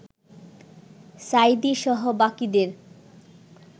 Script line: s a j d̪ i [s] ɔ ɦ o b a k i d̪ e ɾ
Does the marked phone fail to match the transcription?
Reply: yes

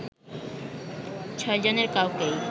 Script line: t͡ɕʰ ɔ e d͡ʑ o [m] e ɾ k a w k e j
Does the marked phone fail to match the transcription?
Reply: yes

